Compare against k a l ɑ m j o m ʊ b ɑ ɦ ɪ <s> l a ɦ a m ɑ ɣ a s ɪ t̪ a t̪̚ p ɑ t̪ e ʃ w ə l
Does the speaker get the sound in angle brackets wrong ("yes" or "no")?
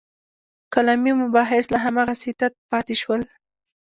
no